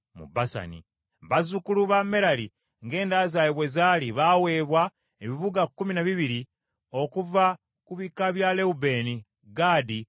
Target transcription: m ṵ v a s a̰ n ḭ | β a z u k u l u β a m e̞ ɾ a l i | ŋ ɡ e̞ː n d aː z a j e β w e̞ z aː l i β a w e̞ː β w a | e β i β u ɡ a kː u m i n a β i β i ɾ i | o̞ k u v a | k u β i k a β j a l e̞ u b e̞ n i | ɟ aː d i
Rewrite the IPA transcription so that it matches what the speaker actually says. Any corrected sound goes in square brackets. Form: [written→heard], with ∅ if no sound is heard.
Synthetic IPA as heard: m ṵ [v→b] a s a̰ n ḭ | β a z u k u l u β a m e̞ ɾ a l i | ŋ ɡ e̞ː n d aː z a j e β w e̞ z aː l i β a w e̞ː β w a | e β i β u ɡ a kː u m i n a β i β i ɾ i | o̞ k u v a | k u β i k a β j a l e̞ u b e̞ n i | [ɟ→ɡ] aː d i